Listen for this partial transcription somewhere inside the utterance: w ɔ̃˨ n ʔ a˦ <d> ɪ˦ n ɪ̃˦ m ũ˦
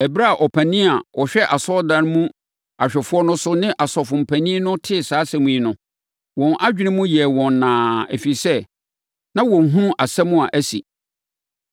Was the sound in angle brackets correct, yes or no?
no